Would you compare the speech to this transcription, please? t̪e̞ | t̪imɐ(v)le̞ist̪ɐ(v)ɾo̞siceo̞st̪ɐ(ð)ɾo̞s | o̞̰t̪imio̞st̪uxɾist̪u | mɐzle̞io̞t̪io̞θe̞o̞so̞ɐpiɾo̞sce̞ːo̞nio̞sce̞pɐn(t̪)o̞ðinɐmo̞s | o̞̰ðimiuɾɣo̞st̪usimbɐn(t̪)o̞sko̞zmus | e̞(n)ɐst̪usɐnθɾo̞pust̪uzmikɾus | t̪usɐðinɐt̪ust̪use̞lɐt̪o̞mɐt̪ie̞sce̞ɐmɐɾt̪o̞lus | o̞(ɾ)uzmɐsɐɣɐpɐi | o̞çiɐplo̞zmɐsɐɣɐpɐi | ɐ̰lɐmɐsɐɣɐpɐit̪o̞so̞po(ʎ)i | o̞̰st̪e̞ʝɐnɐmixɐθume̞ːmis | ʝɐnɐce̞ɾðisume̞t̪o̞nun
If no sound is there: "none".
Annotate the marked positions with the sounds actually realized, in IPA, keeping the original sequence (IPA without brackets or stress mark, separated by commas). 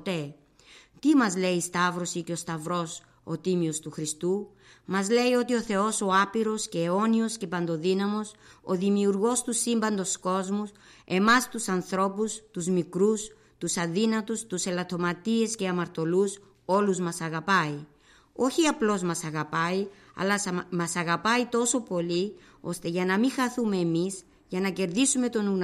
z, v, v, d̪, d̪, m, l, l